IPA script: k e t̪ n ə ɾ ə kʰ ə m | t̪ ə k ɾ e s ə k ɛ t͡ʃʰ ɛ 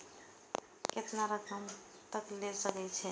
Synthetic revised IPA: k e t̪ n a ɾ ə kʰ ə m | t̪ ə k l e s ə k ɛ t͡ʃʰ ɛ